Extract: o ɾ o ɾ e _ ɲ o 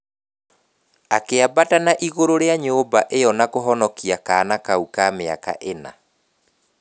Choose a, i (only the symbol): a